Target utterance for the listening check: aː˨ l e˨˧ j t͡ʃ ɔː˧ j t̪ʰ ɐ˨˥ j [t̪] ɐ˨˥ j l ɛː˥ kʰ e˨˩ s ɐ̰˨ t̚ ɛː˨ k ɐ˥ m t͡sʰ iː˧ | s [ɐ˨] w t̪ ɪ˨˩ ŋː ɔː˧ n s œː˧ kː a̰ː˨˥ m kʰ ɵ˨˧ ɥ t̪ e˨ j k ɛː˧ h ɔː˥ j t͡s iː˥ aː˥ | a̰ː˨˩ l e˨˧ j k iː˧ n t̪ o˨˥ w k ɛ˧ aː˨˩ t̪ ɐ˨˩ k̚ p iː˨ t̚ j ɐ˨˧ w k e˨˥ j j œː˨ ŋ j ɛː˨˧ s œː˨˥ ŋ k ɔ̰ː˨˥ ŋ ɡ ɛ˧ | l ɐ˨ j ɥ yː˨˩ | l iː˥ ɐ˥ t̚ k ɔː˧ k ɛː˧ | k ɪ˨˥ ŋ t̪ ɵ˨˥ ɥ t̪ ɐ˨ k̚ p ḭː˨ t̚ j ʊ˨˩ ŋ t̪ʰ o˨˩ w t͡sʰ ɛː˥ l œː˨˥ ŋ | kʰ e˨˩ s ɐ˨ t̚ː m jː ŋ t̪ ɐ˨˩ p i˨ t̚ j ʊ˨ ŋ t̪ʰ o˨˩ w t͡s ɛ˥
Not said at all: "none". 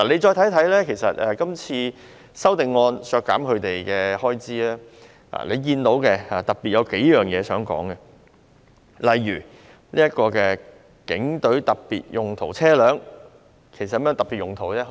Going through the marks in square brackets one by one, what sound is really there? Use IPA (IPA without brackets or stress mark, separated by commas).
t̪ʰ, ɐ˥